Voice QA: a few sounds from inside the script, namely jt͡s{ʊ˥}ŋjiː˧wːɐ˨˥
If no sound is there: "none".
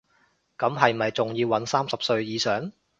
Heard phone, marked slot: ʊ˨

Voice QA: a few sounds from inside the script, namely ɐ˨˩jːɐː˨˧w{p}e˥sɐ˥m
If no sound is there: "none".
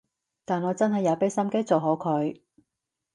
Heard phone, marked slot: p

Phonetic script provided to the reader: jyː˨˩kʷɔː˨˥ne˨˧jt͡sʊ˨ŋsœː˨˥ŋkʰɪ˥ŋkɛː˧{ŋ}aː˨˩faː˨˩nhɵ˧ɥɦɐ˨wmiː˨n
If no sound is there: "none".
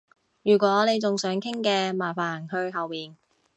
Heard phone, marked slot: m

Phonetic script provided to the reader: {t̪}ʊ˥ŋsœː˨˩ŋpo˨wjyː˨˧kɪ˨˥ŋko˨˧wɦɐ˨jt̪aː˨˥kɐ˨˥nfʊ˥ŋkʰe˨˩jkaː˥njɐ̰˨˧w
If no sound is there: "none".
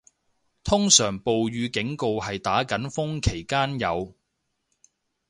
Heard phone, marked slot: t̪ʰ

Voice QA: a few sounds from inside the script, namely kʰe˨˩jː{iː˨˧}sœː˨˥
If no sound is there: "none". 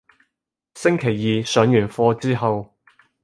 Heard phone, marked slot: iː˨˧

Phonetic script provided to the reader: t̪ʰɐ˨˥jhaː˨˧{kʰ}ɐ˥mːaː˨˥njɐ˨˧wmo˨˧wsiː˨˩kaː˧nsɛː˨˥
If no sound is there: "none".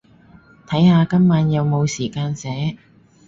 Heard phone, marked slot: k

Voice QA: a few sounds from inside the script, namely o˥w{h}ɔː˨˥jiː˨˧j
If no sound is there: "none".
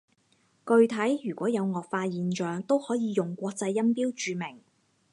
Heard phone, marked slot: h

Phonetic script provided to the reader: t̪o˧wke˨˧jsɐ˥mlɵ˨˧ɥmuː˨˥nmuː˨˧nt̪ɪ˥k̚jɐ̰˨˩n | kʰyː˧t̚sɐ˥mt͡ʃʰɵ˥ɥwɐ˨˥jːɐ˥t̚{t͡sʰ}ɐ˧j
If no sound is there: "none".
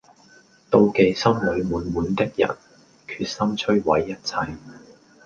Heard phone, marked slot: t͡sʰ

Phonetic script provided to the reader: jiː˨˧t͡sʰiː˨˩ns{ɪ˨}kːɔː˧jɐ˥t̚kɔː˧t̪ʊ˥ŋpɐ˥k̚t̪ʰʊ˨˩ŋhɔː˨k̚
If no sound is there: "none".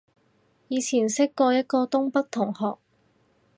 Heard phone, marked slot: ɪ˥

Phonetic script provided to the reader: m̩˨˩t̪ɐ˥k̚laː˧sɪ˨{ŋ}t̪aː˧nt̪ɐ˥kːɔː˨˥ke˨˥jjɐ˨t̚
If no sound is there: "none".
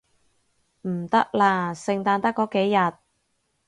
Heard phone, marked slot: ŋ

